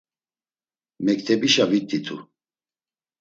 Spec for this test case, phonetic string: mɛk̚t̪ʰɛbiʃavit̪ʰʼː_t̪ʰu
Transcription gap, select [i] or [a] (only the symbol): i